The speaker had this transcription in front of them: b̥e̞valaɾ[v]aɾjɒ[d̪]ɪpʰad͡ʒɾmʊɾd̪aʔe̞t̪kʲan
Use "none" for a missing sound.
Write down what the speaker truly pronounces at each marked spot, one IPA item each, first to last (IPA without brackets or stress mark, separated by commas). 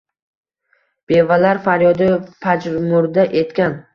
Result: f, d̪